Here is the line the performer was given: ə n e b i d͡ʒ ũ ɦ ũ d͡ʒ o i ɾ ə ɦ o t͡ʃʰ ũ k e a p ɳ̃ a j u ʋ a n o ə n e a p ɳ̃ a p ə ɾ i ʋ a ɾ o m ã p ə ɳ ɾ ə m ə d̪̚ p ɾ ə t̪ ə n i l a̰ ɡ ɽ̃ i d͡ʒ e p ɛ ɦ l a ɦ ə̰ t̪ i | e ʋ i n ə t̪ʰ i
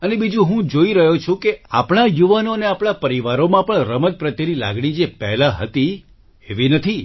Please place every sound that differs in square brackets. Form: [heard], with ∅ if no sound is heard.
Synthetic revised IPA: ə n e b i d͡ʒ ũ ɦ ũ d͡ʒ o i ɾ ə ɦ o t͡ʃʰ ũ k e a p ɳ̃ a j u ʋ a n o ə n e a p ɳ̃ a p ə ɾ i ʋ a ɾ o m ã p ə ɳ ɾ ə m ə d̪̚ p ɾ ə t̪ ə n i l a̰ ɡ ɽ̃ i d͡ʒ e p ɛ ɦ l a ɦ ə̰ t̪ i | e ʋ i n ə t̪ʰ i

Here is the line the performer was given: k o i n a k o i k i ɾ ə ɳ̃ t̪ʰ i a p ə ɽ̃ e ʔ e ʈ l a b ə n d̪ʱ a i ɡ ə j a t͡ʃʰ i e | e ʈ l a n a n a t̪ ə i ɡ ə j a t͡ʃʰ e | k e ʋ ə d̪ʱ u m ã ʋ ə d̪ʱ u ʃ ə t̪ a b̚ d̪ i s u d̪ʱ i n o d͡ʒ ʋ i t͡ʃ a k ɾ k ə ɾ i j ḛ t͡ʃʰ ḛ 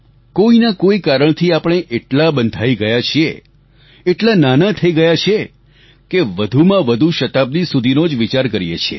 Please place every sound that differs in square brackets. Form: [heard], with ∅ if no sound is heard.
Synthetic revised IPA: k o i n a k o i k [a] ɾ ə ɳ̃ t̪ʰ i a p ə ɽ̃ e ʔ e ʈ l a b ə n d̪ʱ a i ɡ ə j a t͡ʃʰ i e | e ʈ l a n a n a [t̪ʰ] ə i ɡ ə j a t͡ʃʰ e | k e ʋ ə d̪ʱ u m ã ʋ ə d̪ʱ u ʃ ə t̪ a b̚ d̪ i s u d̪ʱ i n o d͡ʒ ʋ i t͡ʃ a [∅] ɾ k ə ɾ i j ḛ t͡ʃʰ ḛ

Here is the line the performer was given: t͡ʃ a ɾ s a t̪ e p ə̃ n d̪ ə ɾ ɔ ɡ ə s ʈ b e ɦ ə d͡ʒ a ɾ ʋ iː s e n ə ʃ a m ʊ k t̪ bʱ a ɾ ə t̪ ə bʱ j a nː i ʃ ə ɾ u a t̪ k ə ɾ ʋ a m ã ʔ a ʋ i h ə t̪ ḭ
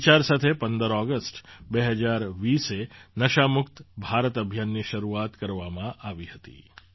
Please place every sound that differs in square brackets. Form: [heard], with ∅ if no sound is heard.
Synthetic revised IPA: t͡ʃ a ɾ s a [t̪ʰ] e p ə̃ n d̪ ə ɾ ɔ ɡ ə s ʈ b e ɦ ə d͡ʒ a ɾ ʋ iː s e n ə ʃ a m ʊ k t̪ bʱ a ɾ ə t̪ ə bʱ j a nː i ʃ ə ɾ u a t̪ k ə ɾ ʋ a m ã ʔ a ʋ i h ə t̪ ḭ

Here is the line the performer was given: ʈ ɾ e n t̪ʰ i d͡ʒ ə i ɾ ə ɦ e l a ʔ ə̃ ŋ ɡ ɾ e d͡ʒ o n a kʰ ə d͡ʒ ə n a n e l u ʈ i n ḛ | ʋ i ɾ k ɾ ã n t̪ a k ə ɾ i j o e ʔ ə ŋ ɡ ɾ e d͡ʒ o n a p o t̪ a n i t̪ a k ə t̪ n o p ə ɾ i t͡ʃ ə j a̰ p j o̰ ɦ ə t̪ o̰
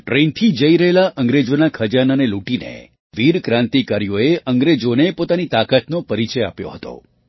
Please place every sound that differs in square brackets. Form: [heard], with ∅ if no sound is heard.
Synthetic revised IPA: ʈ ɾ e n t̪ʰ i d͡ʒ ə i ɾ ə ɦ e l a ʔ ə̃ ŋ ɡ ɾ e d͡ʒ o n a kʰ ə d͡ʒ [a] n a n e l u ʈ i n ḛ | ʋ i ɾ k ɾ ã n t̪ [i] k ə ɾ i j o e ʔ ə ŋ ɡ ɾ e d͡ʒ o n [e] p o t̪ a n i t̪ a k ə t̪ n o p ə ɾ i t͡ʃ ə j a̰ p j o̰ ɦ ə t̪ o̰

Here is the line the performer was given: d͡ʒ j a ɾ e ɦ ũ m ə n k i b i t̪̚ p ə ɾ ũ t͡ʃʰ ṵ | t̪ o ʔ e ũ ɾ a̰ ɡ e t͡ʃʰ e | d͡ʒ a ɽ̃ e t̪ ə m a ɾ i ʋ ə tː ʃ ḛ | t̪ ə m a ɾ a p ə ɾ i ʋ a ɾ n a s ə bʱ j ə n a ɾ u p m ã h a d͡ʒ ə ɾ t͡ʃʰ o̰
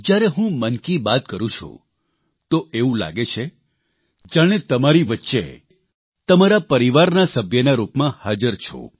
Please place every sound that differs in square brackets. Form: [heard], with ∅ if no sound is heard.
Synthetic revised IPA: d͡ʒ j a ɾ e ɦ ũ m ə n k i b [a] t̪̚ [k] ə ɾ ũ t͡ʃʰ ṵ | t̪ o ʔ e ũ [l] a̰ ɡ e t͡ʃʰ e | d͡ʒ a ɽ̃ e t̪ ə m a ɾ i ʋ ə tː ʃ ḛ | t̪ ə m a ɾ a p ə ɾ i ʋ a ɾ n a s ə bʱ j ə n a ɾ u p m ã h a d͡ʒ ə ɾ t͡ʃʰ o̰

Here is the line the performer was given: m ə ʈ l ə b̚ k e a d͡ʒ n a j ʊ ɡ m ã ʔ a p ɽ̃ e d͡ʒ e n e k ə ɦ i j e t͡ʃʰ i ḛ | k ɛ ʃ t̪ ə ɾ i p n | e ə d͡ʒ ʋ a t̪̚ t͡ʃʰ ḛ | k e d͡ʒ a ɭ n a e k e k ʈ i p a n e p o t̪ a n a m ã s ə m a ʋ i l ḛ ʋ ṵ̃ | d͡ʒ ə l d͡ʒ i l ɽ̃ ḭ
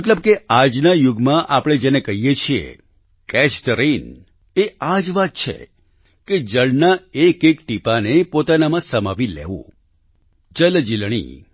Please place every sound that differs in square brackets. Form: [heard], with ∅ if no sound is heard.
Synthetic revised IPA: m ə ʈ l ə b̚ k e a d͡ʒ n a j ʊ ɡ m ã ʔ a p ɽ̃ e d͡ʒ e n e k ə ɦ i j e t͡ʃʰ i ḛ | k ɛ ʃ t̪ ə ɾ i [∅] n | e [a] d͡ʒ ʋ a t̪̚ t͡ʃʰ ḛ | k e d͡ʒ [ə] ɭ n a e k e k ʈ i p a n e p o t̪ a n a m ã s ə m a ʋ i l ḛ ʋ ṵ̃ | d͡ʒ ə l d͡ʒ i l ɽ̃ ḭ

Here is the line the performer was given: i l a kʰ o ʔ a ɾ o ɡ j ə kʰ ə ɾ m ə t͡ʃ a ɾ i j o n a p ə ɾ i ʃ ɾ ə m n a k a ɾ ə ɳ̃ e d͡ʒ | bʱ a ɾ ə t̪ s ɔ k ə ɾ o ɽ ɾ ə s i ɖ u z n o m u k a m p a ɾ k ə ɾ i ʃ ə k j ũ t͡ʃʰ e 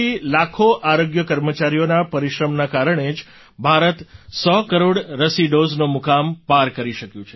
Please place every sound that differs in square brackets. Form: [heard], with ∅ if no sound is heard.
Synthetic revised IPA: i l a kʰ o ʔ a ɾ o ɡ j ə [k] ə ɾ m ə t͡ʃ a ɾ i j o n a p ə ɾ i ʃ ɾ ə m n a k a ɾ ə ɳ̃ e d͡ʒ | bʱ a ɾ ə t̪ s ɔ k ə ɾ o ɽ ɾ ə s i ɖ [o] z n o m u k a m p a ɾ k ə ɾ i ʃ ə k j ũ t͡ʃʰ e

